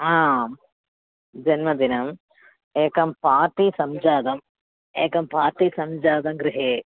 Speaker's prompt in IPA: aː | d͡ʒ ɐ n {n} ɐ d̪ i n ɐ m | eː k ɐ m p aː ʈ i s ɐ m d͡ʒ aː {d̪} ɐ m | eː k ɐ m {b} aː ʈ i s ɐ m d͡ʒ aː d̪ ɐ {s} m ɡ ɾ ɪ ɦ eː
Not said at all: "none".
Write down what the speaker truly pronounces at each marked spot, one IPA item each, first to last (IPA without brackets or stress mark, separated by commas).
m, d̪, p, none